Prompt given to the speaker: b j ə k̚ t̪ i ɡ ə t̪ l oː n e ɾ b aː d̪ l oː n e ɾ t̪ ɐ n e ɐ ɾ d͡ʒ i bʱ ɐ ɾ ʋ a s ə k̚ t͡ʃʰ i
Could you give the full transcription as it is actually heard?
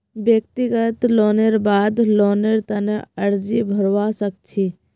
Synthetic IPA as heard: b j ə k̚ t̪ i ɡ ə t̪ l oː n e ɾ b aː d̪ l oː n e ɾ t̪ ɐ n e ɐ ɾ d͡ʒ i bʱ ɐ ɾ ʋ a s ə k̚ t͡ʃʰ i